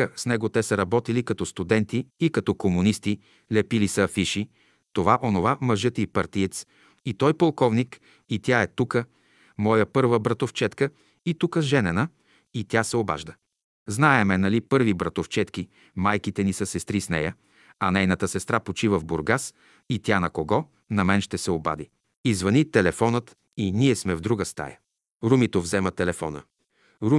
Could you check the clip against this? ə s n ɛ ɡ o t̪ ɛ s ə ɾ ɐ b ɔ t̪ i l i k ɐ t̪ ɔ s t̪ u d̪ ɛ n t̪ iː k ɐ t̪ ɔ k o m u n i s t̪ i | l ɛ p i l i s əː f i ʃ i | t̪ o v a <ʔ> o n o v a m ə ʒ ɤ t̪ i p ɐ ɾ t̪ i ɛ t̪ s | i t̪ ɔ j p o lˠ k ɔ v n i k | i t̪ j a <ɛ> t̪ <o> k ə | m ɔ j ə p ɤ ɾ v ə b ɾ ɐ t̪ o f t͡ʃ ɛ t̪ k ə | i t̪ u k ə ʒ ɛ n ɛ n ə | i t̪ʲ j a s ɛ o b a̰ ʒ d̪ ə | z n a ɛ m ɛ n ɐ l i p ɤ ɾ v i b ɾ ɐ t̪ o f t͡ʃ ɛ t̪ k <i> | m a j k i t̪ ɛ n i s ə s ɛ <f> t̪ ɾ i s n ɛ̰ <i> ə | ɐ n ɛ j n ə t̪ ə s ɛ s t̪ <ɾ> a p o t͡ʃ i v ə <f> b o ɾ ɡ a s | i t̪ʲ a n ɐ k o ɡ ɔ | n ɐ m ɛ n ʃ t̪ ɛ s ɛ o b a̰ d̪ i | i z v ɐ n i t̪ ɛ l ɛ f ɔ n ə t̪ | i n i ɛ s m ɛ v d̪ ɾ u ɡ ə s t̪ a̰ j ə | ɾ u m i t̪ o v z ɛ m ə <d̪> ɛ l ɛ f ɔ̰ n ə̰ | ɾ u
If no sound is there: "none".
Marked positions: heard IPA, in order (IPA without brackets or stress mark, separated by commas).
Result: ʔ, ɛ, u, i, s, j, ɾ, v, t̪